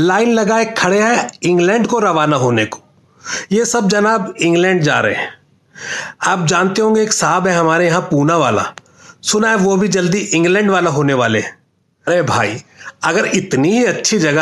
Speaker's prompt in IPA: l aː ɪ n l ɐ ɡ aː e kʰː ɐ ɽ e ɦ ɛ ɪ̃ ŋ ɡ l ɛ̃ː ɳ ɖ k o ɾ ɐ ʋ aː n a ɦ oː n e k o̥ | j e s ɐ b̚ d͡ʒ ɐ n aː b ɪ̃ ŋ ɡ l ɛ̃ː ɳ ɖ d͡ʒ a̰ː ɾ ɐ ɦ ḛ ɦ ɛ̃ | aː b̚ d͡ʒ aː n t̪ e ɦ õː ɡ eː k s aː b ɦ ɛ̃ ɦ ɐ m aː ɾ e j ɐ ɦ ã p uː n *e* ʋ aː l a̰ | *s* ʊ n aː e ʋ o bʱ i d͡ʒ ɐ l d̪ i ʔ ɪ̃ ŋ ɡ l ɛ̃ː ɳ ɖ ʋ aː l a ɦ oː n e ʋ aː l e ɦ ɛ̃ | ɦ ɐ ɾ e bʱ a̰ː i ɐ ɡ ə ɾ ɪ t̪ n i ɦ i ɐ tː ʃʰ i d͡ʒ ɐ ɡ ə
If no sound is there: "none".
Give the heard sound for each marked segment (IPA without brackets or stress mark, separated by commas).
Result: a, s